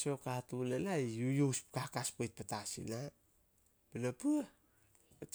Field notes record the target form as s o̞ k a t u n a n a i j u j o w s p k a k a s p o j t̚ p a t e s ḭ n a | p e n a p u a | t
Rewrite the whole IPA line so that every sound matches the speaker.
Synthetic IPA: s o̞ k a t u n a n a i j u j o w s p k a k a s p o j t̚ p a t a s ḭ n a | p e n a p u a | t